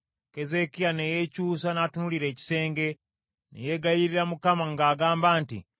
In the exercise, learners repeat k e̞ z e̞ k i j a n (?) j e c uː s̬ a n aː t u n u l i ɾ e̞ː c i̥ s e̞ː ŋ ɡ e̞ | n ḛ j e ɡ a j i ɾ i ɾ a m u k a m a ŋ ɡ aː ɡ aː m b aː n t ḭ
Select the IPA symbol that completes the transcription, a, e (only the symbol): e